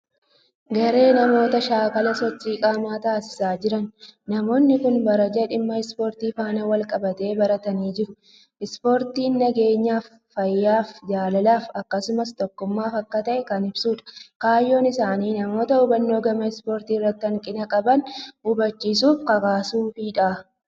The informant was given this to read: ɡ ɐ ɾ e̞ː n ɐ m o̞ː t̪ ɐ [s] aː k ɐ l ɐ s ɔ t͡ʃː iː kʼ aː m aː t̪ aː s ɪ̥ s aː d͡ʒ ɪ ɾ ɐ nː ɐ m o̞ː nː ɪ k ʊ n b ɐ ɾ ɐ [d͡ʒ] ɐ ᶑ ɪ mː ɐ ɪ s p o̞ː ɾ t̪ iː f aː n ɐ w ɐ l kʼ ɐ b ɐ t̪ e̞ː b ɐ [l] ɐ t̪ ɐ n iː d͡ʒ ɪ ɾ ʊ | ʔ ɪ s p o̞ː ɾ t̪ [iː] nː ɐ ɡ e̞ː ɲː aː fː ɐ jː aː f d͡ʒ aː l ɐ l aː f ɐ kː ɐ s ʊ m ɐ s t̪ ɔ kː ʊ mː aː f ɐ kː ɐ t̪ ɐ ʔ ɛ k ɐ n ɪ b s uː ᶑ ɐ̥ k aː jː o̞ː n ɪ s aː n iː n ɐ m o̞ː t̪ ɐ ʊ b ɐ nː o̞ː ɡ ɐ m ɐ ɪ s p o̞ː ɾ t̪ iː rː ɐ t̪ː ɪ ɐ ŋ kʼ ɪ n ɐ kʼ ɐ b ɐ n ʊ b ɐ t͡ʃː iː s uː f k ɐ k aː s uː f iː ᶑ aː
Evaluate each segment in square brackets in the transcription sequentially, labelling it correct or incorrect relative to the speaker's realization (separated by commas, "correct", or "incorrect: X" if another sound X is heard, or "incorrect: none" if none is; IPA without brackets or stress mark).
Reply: incorrect: ʃ, correct, incorrect: ɾ, correct